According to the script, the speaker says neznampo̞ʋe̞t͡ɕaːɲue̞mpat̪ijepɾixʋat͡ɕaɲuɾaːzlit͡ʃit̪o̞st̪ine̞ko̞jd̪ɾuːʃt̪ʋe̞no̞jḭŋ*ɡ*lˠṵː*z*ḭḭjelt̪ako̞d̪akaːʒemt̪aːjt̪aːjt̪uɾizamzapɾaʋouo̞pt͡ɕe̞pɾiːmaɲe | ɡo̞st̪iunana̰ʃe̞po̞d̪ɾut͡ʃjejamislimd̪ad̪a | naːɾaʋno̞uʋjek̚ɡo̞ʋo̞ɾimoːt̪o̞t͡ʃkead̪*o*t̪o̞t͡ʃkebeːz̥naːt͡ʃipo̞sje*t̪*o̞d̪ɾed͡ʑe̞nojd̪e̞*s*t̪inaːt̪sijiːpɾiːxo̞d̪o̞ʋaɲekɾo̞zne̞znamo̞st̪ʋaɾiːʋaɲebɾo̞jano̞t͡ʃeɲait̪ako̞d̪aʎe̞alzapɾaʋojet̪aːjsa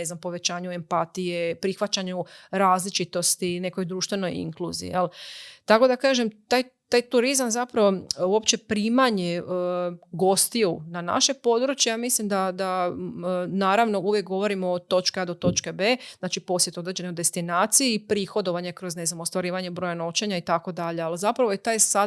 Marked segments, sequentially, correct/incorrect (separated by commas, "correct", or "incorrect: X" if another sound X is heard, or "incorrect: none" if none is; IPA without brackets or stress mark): incorrect: k, correct, correct, correct, correct